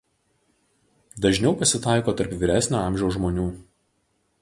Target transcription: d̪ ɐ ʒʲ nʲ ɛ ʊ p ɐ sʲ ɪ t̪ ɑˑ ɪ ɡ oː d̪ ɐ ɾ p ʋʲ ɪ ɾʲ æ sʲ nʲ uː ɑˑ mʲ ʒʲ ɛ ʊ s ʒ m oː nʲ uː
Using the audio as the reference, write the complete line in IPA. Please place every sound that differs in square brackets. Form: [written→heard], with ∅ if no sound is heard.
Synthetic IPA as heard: d̪ ɐ ʒʲ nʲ ɛ ʊ p ɐ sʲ ɪ t̪ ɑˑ ɪ [ɡ→k] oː [d̪→t̪] ɐ ɾ p ʋʲ ɪ ɾʲ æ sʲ nʲ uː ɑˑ mʲ ʒʲ ɛ ʊ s ʒ m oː nʲ uː